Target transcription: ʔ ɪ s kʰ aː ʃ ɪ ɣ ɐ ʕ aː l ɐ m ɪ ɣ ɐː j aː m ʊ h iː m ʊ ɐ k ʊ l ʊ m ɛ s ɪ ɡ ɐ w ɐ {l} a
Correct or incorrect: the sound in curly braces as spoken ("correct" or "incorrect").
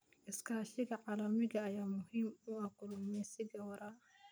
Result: incorrect